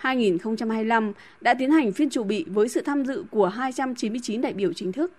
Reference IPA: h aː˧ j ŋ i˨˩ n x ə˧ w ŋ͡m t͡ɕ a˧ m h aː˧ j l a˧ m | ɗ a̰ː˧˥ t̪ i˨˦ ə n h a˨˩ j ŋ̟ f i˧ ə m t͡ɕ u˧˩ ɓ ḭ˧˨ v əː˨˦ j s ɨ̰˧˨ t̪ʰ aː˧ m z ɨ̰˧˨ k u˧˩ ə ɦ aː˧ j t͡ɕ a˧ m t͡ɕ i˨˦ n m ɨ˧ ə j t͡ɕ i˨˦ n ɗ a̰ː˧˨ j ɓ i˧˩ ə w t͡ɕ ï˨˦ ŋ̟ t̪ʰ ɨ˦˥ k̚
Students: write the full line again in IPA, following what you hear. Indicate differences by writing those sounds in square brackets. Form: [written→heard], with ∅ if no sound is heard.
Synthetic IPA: h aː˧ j ŋ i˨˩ n x ə˧ w ŋ͡m t͡ɕ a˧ m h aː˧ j l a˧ m | ɗ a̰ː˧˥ t̪ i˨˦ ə n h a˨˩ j ŋ̟ f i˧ ə [m→n] t͡ɕ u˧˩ ɓ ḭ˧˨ v əː˨˦ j s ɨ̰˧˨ t̪ʰ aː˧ m z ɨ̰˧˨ k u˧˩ ə ɦ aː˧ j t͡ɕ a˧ m t͡ɕ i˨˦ n m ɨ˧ ə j t͡ɕ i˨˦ n ɗ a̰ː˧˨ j ɓ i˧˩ ə w t͡ɕ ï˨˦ ŋ̟ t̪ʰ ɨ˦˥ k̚